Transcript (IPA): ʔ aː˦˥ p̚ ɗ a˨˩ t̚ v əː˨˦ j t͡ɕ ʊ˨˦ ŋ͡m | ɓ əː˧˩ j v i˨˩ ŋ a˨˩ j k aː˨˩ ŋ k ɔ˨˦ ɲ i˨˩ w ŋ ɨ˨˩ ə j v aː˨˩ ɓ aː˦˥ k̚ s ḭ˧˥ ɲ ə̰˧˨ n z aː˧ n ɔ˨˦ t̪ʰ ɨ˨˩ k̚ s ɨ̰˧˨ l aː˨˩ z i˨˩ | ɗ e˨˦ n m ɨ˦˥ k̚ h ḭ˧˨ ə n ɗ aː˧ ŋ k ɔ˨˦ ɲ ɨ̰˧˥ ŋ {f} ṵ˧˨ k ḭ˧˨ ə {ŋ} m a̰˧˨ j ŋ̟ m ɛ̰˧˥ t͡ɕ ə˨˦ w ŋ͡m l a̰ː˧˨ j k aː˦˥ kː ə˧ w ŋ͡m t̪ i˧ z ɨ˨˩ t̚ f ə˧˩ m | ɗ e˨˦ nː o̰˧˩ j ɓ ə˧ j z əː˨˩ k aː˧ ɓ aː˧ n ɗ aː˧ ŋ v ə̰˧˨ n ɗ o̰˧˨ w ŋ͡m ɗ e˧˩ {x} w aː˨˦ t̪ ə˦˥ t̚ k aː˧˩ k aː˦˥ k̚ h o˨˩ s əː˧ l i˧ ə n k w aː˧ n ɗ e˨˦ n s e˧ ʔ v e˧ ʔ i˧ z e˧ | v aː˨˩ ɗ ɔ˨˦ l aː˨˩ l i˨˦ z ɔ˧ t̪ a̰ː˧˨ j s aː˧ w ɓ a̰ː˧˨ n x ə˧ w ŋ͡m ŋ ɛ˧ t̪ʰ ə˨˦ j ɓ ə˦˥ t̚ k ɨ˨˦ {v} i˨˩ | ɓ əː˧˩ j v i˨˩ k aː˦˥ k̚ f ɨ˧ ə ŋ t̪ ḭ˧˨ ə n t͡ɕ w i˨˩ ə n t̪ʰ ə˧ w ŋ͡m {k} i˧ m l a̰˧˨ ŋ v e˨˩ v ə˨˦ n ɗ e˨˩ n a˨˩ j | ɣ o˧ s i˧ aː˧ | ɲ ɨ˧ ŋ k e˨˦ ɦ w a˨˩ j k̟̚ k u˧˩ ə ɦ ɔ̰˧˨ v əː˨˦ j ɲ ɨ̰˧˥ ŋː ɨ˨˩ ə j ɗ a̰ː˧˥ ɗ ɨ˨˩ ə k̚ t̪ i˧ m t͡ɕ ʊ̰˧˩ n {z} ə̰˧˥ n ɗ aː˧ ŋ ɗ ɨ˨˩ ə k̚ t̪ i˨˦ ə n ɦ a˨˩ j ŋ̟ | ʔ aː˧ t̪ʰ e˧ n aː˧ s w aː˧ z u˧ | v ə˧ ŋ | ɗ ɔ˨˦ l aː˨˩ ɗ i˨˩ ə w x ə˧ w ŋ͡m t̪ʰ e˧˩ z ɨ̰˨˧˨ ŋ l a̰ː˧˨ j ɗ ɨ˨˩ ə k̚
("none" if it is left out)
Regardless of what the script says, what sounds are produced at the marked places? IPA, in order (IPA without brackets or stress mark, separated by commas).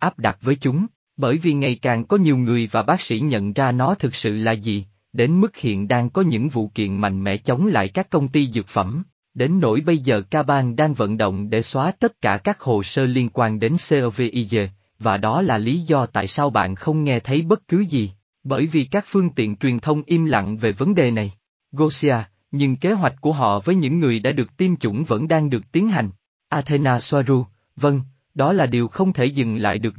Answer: v, n, s, z, ʔ, v